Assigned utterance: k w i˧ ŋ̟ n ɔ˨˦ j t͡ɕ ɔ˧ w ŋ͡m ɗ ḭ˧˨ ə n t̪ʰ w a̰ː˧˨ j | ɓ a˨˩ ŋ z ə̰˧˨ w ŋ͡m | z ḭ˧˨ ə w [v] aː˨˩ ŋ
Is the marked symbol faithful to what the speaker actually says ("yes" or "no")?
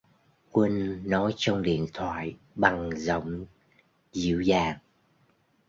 no